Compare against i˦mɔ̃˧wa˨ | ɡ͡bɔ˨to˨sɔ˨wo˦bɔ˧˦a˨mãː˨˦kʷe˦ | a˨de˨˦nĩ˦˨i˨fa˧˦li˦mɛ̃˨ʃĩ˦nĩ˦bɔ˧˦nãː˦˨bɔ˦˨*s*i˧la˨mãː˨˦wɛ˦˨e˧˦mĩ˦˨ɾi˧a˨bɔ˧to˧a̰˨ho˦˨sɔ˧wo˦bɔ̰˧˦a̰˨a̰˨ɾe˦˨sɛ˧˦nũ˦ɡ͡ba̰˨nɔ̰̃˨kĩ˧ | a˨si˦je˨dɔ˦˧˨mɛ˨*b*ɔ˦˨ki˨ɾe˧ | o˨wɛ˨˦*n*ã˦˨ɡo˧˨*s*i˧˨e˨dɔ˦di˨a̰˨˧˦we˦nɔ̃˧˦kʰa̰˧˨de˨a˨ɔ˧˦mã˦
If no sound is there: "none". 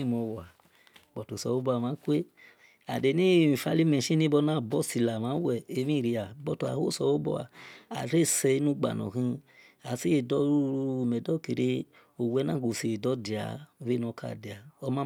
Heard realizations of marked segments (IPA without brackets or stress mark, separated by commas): s, d, n, s